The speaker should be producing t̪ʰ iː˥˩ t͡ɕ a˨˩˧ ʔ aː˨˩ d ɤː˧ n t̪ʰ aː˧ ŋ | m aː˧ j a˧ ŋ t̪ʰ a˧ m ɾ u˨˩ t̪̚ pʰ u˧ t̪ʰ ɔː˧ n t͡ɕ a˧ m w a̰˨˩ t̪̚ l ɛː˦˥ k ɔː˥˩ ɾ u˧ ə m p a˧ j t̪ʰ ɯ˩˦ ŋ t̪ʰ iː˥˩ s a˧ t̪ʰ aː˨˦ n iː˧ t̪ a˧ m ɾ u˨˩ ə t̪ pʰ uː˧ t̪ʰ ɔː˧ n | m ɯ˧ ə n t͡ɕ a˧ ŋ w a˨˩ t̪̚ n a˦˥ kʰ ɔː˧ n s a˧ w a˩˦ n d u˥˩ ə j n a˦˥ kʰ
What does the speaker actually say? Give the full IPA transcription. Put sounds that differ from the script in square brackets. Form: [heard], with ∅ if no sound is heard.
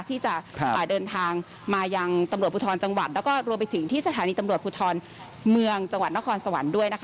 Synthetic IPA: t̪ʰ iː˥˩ t͡ɕ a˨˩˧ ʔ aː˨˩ d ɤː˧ n t̪ʰ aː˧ ŋ | m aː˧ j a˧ ŋ [t̪] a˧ m ɾ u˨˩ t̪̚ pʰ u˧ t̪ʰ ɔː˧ n t͡ɕ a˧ [ŋ] w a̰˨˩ t̪̚ l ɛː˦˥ k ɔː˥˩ ɾ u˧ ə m p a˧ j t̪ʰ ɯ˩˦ ŋ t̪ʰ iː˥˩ s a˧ t̪ʰ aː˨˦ n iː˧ t̪ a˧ m ɾ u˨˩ ə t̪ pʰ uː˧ t̪ʰ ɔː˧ n | m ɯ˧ ə [ŋ] t͡ɕ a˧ ŋ w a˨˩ t̪̚ n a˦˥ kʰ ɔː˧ n s a˧ w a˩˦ n d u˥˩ ə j n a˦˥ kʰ

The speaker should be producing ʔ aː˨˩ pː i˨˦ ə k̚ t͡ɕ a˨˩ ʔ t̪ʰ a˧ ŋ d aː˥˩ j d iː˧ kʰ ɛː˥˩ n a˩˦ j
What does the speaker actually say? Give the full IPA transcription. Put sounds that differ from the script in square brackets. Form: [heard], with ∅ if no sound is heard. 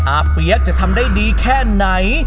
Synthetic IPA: ʔ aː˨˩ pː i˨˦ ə k̚ t͡ɕ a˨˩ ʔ t̪ʰ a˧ [m] d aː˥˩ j d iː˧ kʰ ɛː˥˩ n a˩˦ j

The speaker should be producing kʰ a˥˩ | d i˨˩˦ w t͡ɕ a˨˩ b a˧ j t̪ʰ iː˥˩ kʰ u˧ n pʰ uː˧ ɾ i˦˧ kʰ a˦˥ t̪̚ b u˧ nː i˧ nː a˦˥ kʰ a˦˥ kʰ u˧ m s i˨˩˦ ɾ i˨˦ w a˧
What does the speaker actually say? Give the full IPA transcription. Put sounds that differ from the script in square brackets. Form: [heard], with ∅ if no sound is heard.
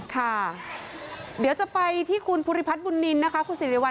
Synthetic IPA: kʰ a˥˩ | d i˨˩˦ w t͡ɕ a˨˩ [p] a˧ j t̪ʰ iː˥˩ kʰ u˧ n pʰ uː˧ ɾ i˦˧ [pʰ] a˦˥ t̪̚ b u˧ nː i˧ nː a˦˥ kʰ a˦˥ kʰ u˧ [n] s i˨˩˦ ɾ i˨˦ w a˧

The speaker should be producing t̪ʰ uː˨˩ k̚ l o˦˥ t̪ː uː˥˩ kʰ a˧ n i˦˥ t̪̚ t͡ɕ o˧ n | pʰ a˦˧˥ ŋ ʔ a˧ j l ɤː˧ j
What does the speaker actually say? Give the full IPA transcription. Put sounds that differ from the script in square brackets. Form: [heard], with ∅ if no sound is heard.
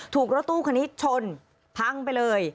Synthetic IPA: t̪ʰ uː˨˩ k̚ [ɾ] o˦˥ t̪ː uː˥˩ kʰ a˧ n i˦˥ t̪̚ [t͡ɕʰ] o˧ n | pʰ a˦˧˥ ŋ [p] a˧ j l ɤː˧ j

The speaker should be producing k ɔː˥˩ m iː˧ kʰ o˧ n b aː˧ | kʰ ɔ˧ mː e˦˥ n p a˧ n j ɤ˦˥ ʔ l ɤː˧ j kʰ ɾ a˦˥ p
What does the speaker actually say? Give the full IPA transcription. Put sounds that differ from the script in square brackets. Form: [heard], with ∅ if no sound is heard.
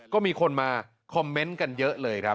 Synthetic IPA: k ɔː˥˩ m iː˧ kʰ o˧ n [m] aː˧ | kʰ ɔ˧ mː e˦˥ n [k] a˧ n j ɤ˦˥ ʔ l ɤː˧ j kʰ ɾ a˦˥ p

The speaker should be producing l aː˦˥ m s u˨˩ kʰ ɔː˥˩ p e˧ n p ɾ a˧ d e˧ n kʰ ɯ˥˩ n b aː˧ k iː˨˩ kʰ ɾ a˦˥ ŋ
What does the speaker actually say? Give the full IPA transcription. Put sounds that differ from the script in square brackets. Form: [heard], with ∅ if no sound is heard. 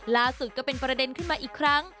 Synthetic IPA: l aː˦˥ [∅] s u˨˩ [k] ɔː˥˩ p e˧ n p ɾ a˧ d e˧ n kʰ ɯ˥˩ n [m] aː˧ [ʔ] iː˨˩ kʰ ɾ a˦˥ ŋ

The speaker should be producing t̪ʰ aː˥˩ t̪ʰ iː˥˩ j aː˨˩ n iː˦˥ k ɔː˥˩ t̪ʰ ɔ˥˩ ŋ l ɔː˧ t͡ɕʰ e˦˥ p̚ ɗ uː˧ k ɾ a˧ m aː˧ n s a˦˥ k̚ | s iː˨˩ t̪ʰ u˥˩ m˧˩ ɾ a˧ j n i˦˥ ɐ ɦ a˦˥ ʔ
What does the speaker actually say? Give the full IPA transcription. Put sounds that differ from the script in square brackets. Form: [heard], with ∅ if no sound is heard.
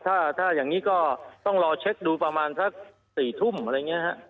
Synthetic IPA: t̪ʰ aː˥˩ t̪ʰ [aː˥˩] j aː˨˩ [ŋ] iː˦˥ k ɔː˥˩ [t̪] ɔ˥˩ ŋ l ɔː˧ t͡ɕʰ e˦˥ [k̚] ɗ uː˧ [p] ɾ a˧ m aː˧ n s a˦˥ k̚ | s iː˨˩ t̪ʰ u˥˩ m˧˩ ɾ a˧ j [ŋ] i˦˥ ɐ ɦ a˦˥ ʔ

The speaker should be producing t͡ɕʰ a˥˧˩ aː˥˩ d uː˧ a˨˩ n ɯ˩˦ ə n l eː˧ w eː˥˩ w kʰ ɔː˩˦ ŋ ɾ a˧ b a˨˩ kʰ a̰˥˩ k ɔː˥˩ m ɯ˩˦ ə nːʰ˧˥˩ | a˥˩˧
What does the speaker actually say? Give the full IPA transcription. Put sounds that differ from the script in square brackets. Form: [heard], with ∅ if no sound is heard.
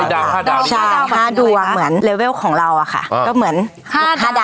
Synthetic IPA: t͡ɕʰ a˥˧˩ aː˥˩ d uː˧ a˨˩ [m] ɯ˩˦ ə n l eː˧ w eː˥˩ w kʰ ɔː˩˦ ŋ ɾ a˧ [w] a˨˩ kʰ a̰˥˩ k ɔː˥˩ m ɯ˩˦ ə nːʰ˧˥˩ | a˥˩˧

